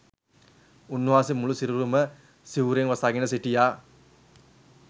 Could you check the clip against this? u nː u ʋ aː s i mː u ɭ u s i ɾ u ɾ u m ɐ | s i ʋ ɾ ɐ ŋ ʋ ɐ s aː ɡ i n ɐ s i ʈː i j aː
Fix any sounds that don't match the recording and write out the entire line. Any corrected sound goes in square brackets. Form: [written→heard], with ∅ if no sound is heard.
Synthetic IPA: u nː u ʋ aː s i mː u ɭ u s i ɾ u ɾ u m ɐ | s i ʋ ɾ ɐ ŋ ʋ ɐ s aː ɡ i n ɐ s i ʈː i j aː